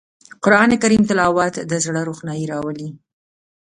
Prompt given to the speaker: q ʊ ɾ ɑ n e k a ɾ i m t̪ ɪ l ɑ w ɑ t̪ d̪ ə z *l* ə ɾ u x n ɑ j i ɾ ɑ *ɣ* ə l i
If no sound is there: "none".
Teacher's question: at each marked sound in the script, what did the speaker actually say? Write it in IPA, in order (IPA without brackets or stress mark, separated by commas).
ɽ, w